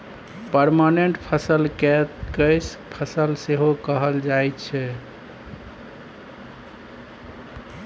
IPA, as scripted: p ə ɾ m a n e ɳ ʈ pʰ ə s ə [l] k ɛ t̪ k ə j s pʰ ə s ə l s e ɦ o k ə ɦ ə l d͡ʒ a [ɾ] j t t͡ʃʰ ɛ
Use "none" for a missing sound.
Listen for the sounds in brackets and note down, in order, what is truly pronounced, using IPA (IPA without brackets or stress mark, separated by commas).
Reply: l, none